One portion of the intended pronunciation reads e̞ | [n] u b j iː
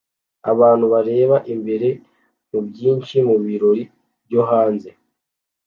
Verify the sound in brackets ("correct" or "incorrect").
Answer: incorrect